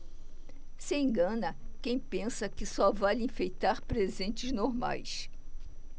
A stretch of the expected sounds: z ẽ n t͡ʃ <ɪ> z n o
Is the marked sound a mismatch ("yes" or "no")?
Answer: no